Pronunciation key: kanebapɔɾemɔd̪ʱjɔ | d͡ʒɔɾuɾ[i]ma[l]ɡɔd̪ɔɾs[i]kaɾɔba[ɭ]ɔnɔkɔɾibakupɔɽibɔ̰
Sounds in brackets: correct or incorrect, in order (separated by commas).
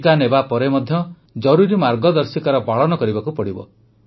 correct, incorrect, correct, correct